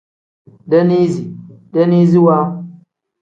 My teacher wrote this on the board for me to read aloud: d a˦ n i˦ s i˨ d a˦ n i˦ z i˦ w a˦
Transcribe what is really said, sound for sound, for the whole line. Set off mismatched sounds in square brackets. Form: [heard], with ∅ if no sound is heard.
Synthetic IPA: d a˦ n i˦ [z] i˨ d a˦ n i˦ z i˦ w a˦

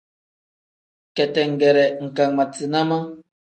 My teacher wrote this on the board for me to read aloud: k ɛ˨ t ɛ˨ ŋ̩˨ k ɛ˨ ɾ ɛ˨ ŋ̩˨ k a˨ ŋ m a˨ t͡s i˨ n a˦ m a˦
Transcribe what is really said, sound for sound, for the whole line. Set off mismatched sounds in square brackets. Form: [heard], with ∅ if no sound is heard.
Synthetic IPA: k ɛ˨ t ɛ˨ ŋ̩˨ [ɡ] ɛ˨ ɾ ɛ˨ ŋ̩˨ k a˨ ŋ m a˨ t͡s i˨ n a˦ m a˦

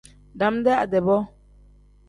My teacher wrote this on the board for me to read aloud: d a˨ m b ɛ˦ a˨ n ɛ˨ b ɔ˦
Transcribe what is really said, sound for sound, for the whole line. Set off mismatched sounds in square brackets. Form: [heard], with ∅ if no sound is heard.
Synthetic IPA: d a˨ m [d] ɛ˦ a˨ [d] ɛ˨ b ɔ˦

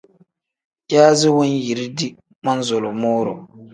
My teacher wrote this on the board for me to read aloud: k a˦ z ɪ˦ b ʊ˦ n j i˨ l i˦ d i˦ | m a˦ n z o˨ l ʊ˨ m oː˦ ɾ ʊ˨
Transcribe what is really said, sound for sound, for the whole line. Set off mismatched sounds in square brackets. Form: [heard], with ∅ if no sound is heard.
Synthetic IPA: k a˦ z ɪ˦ [w] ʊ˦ n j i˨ [ɾ] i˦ d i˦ | m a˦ n z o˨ l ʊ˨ m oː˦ ɾ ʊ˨

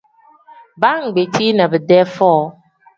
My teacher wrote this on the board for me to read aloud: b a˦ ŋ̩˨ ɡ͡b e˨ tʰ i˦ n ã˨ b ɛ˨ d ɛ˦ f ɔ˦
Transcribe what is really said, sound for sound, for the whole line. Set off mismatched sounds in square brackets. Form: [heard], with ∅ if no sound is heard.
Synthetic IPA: b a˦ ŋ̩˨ ɡ͡b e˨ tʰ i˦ n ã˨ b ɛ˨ d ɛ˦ f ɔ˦

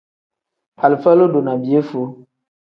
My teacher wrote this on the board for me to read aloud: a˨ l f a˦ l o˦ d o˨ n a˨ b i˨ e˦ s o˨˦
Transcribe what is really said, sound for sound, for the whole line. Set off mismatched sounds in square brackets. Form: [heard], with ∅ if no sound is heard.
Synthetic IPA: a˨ l f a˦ l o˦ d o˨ n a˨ b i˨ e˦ [f] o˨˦

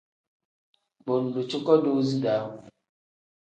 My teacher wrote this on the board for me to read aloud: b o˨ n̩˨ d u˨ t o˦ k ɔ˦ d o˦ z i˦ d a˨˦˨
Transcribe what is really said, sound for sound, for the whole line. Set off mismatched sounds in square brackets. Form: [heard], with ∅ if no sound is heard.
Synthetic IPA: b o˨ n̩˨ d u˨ [t͡ʃ] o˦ k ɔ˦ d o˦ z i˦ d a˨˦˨

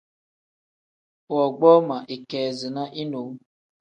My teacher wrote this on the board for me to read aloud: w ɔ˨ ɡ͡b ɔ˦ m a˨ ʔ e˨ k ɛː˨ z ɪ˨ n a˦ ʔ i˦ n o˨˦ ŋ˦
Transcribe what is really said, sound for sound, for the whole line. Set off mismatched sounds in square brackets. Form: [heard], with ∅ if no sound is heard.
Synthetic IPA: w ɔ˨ ɡ͡b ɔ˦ m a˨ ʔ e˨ k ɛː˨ z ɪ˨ n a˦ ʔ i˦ n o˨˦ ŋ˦

